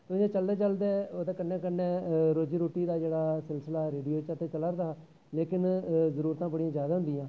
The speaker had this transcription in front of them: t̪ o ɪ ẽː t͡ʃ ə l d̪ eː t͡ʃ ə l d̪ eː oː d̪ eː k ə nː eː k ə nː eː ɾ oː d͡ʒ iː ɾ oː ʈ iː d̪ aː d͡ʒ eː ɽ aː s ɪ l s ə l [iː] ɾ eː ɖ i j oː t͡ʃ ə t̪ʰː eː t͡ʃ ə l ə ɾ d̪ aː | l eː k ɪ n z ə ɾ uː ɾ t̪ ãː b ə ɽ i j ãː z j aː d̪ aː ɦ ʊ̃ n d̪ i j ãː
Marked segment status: incorrect: aː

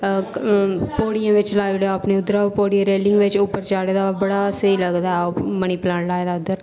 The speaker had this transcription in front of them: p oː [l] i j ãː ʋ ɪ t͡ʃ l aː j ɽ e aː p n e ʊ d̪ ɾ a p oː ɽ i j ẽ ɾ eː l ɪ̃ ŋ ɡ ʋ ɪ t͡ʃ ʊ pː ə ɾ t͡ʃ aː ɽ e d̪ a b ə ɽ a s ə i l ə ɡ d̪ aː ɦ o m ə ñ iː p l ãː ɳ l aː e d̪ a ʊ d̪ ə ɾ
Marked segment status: incorrect: ɽ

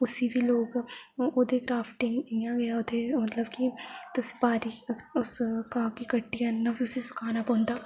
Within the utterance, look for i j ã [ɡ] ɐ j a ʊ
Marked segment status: correct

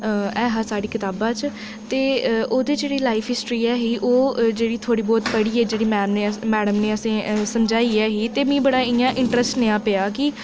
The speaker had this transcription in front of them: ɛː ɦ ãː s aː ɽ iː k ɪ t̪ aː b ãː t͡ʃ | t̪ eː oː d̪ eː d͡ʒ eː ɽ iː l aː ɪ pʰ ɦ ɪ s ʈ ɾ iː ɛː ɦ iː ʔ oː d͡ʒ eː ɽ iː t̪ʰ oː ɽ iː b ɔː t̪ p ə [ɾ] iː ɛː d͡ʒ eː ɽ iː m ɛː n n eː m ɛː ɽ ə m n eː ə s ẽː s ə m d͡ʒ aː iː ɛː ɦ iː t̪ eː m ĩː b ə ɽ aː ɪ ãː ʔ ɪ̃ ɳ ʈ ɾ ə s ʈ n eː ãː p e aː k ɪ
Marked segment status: incorrect: ɽ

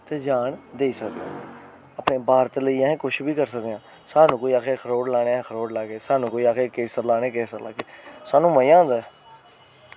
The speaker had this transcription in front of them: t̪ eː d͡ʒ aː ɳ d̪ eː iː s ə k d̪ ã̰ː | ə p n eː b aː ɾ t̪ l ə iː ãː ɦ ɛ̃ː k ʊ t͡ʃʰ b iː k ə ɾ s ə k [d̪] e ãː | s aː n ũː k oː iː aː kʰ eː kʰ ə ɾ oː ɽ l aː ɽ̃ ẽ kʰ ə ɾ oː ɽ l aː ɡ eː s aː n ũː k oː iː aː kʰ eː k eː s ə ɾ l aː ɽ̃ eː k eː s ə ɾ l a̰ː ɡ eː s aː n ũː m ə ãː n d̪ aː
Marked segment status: correct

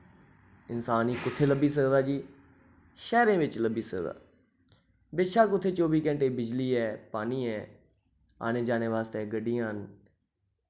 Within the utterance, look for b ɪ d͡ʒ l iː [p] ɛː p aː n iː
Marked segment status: incorrect: none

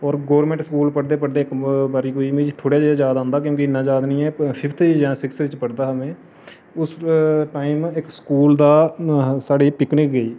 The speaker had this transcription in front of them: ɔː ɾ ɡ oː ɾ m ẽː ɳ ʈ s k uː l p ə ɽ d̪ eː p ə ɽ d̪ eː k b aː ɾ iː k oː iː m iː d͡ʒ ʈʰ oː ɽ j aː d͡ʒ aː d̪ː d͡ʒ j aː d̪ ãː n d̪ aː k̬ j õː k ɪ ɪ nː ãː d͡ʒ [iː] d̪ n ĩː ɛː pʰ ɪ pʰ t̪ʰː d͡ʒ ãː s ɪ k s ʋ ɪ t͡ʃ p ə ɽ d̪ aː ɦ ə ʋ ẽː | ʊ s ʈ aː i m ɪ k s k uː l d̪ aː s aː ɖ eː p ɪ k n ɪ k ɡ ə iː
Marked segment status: incorrect: aː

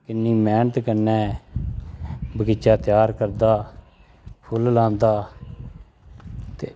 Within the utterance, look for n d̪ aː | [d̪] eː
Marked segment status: incorrect: t̪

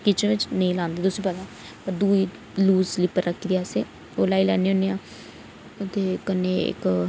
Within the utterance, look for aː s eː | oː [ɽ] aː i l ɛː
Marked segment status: incorrect: l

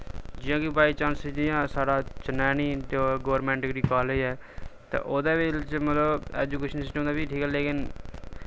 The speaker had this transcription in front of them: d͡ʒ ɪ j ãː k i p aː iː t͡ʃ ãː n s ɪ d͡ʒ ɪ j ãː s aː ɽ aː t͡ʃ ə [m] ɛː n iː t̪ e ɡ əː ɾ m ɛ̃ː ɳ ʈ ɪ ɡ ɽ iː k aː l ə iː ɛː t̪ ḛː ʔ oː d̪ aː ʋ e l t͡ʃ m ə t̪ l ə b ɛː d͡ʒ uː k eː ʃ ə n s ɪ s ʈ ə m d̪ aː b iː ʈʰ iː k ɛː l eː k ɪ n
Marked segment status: incorrect: n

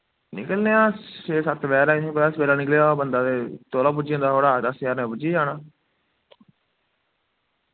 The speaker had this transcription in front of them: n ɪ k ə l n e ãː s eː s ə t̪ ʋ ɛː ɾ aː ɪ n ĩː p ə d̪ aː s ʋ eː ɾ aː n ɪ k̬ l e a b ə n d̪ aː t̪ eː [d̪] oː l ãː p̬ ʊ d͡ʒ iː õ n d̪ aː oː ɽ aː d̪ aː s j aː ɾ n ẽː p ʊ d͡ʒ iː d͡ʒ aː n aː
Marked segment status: incorrect: t̪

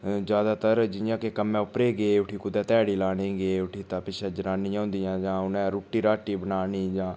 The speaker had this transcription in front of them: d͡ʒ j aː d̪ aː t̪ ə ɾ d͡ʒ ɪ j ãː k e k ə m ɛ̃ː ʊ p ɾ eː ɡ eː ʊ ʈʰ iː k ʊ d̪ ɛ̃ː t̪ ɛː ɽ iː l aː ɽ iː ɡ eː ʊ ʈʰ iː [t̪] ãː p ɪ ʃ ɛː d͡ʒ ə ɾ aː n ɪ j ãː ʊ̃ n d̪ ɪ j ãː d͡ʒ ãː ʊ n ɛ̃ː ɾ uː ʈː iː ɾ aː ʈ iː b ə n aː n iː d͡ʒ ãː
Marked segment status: correct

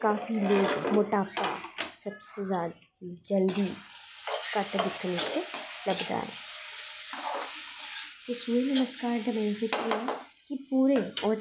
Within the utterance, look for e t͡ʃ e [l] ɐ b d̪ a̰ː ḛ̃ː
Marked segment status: correct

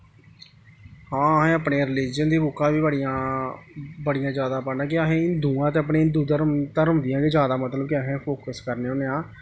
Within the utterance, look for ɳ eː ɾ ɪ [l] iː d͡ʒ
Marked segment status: correct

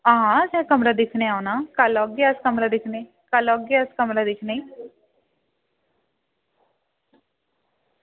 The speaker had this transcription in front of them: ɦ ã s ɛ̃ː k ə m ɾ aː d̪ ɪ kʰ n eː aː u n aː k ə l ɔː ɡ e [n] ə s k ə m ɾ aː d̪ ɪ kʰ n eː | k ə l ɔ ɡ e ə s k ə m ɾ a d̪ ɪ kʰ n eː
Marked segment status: incorrect: none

